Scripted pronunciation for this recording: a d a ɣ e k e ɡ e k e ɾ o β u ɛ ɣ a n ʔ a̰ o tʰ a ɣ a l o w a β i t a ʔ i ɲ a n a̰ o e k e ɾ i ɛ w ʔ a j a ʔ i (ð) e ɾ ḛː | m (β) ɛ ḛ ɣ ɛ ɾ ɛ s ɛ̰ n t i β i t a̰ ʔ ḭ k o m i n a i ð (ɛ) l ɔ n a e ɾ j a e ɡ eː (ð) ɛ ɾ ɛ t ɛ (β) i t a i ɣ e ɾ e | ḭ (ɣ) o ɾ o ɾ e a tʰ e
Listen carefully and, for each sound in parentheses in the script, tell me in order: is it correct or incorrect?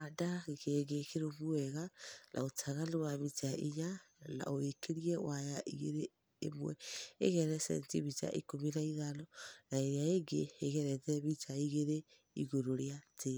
incorrect, incorrect, incorrect, incorrect, correct, correct

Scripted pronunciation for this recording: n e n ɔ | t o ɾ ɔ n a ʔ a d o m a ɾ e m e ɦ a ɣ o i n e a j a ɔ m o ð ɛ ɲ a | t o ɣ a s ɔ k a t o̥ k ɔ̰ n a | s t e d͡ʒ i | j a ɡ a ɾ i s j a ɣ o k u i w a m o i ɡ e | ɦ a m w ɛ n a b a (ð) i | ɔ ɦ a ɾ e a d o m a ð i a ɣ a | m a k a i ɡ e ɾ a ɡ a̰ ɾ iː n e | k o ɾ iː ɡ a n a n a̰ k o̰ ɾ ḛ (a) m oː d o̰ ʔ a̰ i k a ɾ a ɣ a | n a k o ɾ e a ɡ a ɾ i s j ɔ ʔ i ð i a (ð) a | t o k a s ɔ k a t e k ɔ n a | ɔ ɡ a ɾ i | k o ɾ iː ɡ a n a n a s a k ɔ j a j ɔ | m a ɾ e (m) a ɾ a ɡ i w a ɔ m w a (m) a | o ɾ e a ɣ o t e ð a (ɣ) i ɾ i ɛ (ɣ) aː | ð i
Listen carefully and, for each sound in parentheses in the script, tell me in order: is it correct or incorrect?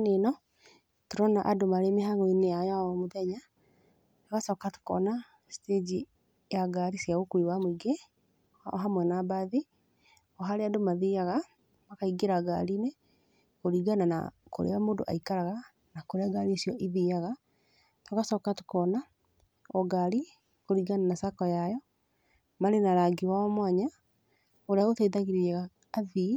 correct, correct, incorrect, incorrect, incorrect, correct, correct

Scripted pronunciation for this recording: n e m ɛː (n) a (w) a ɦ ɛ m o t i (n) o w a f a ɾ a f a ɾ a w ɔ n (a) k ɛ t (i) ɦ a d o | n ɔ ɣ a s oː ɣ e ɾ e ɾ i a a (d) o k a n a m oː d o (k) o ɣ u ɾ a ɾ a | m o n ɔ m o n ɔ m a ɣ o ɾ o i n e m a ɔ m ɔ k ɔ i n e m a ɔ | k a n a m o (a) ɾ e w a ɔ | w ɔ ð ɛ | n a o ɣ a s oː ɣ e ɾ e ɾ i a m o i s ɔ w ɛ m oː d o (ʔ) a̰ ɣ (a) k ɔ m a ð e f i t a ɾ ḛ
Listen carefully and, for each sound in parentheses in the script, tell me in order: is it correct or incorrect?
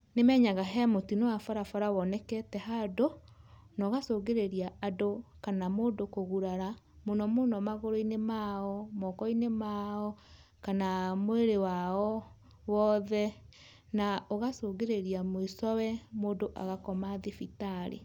incorrect, incorrect, correct, incorrect, incorrect, correct, correct, incorrect, correct, correct

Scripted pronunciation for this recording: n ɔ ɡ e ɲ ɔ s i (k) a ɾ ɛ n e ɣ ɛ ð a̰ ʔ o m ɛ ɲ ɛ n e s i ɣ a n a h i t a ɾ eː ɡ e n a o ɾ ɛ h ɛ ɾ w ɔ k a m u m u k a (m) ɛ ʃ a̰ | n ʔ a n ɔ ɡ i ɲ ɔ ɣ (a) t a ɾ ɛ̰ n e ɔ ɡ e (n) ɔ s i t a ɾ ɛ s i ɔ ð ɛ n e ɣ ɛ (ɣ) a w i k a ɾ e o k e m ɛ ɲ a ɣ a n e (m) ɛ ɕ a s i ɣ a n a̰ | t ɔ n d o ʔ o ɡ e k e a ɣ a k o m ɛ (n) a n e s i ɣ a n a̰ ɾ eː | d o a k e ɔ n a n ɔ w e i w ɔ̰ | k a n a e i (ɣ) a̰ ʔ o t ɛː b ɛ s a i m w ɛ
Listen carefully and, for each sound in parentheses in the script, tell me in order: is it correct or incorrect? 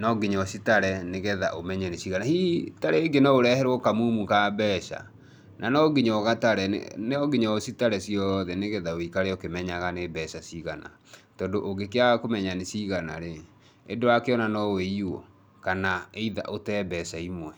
incorrect, incorrect, correct, incorrect, incorrect, incorrect, incorrect, incorrect

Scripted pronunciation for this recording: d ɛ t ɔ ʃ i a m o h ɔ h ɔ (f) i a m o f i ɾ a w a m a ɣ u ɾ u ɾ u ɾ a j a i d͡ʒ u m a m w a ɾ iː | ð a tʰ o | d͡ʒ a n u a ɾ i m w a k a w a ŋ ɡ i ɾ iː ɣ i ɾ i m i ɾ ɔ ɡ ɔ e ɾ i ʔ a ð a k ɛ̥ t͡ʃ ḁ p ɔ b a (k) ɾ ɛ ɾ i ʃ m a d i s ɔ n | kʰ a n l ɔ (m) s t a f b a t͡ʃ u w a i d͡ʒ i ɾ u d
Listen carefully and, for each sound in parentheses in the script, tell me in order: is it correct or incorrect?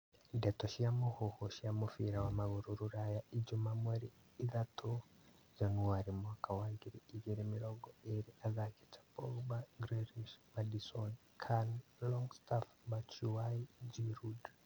incorrect, incorrect, incorrect

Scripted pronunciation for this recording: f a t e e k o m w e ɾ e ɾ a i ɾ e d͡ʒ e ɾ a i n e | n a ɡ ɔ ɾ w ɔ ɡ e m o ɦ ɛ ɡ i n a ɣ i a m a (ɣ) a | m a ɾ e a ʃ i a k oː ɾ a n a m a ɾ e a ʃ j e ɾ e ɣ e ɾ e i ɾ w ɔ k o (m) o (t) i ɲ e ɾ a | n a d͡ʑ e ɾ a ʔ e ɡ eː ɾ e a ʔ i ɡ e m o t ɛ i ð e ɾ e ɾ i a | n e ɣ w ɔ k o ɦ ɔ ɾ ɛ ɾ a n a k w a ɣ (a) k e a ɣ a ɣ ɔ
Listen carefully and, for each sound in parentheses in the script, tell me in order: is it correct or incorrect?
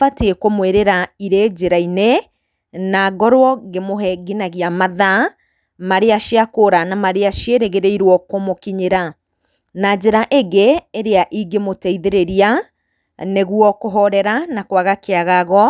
incorrect, correct, incorrect, correct

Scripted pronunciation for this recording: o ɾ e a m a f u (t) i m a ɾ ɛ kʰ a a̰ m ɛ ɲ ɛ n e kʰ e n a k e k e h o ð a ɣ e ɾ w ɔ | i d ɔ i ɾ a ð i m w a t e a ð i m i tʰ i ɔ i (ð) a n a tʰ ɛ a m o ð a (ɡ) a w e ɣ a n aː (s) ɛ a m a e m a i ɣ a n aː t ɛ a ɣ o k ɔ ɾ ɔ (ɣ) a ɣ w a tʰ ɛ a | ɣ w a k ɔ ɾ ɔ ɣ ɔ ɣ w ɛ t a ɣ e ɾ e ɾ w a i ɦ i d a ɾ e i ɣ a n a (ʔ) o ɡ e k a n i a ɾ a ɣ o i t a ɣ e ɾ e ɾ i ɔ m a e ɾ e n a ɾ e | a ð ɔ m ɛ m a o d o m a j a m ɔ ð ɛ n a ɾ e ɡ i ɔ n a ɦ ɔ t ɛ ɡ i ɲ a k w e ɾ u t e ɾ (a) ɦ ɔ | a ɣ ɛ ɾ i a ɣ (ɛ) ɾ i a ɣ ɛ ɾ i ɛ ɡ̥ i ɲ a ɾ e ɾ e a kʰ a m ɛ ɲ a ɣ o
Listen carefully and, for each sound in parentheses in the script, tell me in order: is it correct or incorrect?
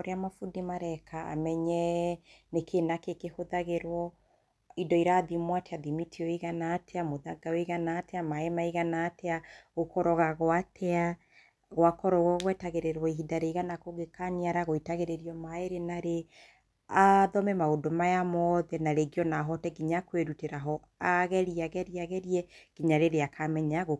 incorrect, incorrect, correct, incorrect, correct, incorrect, correct, correct

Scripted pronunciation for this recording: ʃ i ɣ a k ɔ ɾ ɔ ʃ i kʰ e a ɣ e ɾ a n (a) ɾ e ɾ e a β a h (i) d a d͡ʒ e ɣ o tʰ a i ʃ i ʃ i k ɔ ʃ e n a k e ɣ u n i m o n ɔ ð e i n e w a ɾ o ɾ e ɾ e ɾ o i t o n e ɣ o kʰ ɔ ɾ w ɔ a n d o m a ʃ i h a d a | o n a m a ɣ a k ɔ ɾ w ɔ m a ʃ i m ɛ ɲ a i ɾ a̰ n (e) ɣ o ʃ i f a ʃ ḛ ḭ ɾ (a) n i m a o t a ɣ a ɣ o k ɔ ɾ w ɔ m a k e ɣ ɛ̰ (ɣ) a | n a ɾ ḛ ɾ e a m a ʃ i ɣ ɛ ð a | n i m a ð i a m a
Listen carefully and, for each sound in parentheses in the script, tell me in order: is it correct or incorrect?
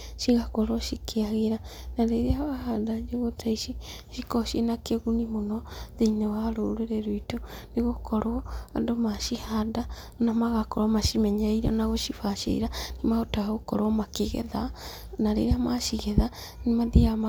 correct, incorrect, incorrect, correct, incorrect

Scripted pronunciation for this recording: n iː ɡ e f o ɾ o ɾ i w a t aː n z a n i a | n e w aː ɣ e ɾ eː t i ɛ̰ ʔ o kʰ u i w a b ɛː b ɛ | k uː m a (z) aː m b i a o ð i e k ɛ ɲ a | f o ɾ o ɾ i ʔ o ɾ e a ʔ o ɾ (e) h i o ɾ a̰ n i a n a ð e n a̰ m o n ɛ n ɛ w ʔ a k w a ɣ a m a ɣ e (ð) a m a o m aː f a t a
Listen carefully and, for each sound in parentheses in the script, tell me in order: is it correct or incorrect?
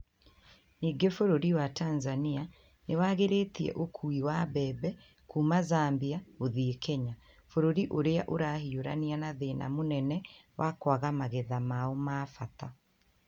correct, incorrect, correct

